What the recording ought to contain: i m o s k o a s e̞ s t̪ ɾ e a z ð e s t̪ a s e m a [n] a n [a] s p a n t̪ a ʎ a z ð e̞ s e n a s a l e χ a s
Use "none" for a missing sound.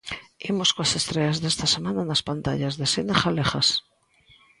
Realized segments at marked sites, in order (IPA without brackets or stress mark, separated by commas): n, a